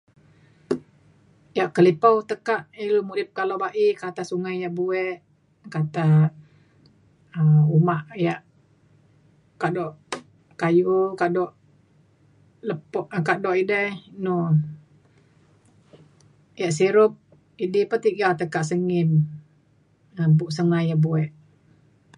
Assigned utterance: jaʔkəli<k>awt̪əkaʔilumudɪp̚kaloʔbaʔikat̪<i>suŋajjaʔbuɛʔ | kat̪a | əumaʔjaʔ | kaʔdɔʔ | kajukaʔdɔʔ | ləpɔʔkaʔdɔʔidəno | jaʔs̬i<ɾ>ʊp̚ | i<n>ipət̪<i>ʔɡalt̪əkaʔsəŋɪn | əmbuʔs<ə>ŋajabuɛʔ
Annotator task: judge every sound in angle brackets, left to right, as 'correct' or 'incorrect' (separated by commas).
incorrect, incorrect, correct, incorrect, correct, correct